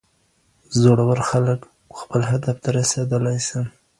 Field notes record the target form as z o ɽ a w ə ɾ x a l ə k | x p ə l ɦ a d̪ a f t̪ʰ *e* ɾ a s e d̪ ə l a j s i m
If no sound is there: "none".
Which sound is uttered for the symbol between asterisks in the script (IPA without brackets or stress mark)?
a